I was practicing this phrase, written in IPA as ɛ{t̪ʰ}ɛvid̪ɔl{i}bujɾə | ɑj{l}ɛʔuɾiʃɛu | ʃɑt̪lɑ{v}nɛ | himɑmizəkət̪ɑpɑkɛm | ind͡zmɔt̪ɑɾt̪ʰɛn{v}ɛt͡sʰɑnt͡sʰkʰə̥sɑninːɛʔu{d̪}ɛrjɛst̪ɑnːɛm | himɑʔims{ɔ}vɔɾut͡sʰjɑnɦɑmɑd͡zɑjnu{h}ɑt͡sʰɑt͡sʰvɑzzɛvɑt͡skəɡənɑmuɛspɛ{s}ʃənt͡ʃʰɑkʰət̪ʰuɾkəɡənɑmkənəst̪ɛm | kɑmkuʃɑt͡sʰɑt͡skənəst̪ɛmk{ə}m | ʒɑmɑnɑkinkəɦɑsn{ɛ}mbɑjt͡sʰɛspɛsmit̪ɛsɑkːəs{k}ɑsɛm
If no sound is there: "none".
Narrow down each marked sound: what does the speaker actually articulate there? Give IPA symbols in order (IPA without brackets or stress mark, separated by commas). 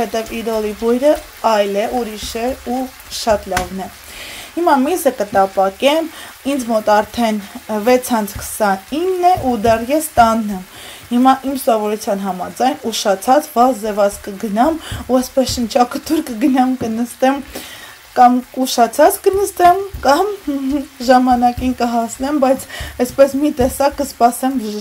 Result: t̪, i, l, v, v, d̪, ɔ, ʃ, s, ɑ, ɛ, p